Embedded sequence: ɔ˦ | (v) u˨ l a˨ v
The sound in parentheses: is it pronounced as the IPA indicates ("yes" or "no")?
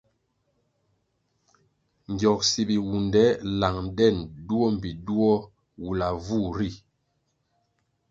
no